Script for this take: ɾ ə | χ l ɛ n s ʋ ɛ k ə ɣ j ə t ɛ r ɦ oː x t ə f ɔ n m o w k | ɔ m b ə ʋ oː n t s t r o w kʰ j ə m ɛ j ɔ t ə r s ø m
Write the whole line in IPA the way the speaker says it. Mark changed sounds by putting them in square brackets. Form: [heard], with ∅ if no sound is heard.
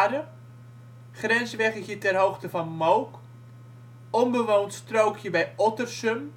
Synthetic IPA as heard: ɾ ə | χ [r] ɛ n s ʋ ɛ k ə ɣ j ə t ɛ r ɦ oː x t ə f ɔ n m o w k | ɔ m b ə ʋ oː n t s t r o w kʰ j ə [b] ɛ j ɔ t ə r s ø m